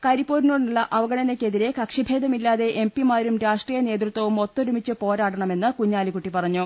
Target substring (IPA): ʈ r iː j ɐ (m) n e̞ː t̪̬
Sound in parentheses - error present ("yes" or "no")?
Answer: yes